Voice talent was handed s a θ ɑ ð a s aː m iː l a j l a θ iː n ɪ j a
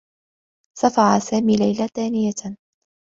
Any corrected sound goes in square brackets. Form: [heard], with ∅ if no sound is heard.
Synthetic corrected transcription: s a [f] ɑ [ʕ] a s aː m iː l a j l a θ [aː] n ɪ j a